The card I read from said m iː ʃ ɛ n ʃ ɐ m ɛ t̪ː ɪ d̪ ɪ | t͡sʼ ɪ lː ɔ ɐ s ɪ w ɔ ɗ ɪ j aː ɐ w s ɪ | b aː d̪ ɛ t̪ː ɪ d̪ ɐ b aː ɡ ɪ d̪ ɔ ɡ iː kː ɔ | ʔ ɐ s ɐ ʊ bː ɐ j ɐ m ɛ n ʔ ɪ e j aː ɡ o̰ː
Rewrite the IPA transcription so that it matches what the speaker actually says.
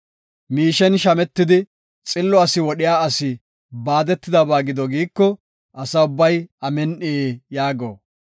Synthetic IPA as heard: m iː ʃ ɛ n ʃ ɐ m ɛ t̪ː ɪ d̪ ɪ | t͡sʼ ɪ lː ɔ ɐ s ɪ w ɔ ɗ ɪ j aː ɐ s ɪ | b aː d̪ ɛ t̪ː ɪ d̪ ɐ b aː ɡ ɪ d̪ ɔ ɡ iː kː ɔ | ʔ ɐ s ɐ ʊ bː ɐ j ɐ m ɛ n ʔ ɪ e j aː ɡ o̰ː